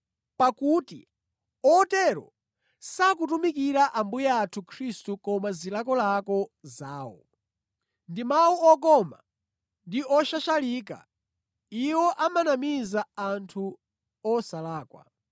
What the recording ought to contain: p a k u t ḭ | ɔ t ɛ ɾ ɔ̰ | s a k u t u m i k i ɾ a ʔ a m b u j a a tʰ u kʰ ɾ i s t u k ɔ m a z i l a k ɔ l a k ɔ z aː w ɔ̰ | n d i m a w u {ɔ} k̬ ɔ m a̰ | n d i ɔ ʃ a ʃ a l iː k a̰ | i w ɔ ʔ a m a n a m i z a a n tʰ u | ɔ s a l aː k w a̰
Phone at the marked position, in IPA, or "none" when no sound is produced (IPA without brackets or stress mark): ɔ